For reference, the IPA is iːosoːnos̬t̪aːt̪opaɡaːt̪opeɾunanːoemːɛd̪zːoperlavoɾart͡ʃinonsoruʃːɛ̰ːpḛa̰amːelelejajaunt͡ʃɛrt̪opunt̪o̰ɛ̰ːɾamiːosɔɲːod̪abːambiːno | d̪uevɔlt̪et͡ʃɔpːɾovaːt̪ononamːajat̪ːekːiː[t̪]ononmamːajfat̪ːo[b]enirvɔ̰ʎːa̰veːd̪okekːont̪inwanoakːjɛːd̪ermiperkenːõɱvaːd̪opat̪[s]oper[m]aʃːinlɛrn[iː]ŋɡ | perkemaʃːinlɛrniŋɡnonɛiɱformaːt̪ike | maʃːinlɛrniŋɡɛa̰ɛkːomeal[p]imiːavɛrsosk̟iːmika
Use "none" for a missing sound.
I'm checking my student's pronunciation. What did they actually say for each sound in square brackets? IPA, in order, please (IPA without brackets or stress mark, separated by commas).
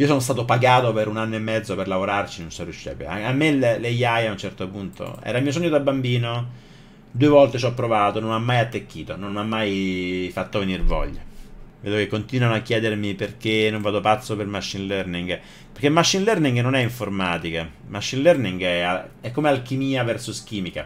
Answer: t̪, v, sː, m, i, k